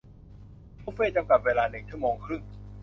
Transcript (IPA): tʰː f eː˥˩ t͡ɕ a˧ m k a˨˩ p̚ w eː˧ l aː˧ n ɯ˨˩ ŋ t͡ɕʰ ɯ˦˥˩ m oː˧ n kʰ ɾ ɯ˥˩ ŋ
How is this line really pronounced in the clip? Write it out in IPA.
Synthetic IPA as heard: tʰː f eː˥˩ t͡ɕ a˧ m k a˨˩ p̚ w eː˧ l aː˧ n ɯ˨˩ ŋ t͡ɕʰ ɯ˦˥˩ m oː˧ ŋ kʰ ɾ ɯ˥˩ ŋ